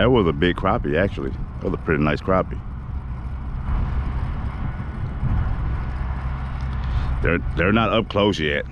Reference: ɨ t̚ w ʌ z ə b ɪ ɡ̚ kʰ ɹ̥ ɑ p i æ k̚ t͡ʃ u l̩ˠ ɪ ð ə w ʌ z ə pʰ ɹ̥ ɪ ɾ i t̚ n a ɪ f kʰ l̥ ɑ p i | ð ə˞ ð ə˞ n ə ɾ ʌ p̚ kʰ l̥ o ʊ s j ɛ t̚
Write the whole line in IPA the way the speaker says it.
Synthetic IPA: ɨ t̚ w ʌ z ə b ɪ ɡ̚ kʰ ɹ̥ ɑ p i æ k̚ t͡ʃ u l̩ˠ i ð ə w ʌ z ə pʰ ɹ̥ ɪ ɾ i n a ɪ s kʰ ɹ̥ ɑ p i | ð ə˞ ð ə˞ n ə ɾ ʌ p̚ kʰ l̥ o ʊ s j ɛ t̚